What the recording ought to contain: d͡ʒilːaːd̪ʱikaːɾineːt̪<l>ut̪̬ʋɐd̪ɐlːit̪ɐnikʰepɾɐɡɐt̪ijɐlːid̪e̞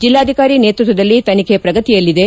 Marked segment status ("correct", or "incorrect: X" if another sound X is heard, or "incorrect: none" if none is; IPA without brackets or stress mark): incorrect: ɾ